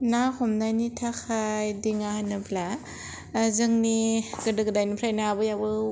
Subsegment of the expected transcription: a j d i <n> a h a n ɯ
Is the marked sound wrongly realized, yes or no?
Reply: yes